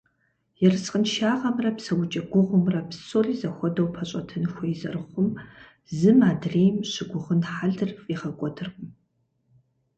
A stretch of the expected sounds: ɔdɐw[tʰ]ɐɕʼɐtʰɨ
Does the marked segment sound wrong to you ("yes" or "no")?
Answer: yes